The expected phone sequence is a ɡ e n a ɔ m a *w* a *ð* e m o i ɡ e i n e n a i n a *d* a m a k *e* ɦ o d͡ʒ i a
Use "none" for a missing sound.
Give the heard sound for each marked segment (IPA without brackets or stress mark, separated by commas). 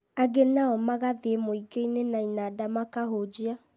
ɣ, ð, d, a